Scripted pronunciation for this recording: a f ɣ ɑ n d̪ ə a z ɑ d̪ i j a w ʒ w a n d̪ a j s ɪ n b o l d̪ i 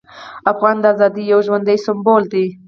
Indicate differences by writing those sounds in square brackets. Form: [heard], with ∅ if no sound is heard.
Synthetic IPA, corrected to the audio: a f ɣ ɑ n d̪ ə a z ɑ d̪ i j a w ʒ w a n d̪ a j s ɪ [m] b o l d̪ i